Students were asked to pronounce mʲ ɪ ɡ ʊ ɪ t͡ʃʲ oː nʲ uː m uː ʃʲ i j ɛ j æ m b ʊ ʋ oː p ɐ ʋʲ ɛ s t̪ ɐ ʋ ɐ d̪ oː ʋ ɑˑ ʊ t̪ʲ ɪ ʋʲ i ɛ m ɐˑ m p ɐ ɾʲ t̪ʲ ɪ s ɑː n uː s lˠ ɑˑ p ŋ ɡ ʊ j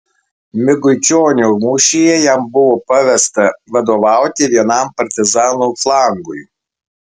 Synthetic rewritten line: mʲ ɪ ɡ ʊ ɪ t͡ʃʲ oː nʲ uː m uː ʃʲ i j ɛ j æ m b ʊ ʋ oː p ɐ ʋʲ ɛ s t̪ ɐ ʋ ɐ d̪ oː ʋ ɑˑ ʊ t̪ʲ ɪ ʋʲ i ɛ n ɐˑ m p ɐ ɾʲ t̪ʲ ɪ z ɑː n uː f lˠ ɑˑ ŋ ɡ ʊ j